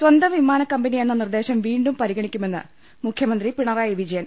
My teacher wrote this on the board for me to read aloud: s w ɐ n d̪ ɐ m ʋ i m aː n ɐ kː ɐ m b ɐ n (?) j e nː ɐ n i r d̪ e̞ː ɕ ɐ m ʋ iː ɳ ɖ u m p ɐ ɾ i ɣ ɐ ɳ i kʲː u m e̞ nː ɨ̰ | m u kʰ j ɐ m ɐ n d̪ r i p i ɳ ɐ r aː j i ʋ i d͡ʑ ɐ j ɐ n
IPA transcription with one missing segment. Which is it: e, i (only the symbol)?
i